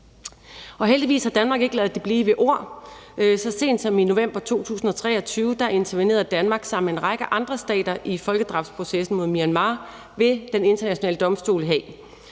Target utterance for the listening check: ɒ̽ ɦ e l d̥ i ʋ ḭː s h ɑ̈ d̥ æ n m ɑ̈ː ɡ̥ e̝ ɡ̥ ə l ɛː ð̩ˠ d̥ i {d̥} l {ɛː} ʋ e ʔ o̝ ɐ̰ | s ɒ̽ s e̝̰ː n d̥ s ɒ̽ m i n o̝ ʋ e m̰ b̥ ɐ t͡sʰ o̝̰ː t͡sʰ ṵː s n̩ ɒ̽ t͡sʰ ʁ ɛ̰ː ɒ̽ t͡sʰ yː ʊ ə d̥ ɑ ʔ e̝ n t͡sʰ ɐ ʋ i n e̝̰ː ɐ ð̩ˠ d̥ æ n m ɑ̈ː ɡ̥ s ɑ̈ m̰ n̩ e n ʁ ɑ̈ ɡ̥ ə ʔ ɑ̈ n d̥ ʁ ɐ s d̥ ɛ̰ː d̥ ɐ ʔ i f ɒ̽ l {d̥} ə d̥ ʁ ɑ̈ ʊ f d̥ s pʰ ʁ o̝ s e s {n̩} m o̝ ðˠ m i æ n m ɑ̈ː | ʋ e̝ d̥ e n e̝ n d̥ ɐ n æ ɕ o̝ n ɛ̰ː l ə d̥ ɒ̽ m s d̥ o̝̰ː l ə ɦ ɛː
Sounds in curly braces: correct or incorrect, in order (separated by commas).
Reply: incorrect, incorrect, incorrect, correct